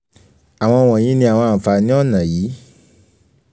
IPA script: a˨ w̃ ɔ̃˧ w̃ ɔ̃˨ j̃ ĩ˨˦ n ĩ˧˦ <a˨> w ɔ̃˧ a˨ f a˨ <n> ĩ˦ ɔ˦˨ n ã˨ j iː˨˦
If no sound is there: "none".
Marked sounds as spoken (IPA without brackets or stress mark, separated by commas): a˨, n